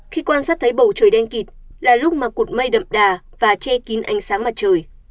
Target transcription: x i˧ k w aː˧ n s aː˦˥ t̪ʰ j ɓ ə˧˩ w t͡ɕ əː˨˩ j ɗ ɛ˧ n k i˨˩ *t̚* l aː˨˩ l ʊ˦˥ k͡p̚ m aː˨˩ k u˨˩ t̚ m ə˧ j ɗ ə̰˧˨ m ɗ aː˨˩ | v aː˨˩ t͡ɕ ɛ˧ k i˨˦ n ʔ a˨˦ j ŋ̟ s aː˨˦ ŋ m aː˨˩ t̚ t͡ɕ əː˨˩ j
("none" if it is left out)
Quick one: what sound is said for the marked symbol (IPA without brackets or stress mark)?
t̚